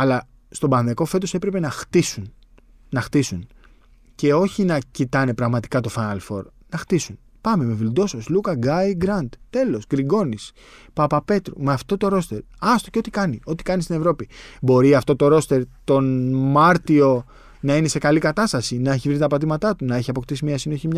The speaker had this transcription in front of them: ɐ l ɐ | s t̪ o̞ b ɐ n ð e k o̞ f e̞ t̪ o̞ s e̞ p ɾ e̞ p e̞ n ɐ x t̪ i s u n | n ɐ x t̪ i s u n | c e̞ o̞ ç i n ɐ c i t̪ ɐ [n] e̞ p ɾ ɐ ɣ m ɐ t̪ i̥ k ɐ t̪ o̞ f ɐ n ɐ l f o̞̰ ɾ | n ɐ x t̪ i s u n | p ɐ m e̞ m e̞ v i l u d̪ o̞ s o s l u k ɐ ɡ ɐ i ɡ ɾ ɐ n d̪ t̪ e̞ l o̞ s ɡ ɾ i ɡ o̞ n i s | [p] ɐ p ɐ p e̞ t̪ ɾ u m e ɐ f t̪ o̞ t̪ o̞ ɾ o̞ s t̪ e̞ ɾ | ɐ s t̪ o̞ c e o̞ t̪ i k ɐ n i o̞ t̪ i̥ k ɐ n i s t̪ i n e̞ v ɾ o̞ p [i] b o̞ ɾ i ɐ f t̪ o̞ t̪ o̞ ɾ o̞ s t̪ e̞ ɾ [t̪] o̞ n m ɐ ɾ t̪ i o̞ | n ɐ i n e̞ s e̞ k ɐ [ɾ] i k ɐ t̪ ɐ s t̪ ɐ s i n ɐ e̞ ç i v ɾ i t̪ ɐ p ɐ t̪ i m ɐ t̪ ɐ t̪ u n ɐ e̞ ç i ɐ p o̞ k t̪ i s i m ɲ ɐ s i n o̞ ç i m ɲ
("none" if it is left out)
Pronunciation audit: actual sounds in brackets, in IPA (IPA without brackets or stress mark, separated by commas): n, p, i, t̪, l